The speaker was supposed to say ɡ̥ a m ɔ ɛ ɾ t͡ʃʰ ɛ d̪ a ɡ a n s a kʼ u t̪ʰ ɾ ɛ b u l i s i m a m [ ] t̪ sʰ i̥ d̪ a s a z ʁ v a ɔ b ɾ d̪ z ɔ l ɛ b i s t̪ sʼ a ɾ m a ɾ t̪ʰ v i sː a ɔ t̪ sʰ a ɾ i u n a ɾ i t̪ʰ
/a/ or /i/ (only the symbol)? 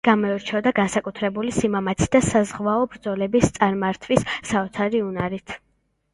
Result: a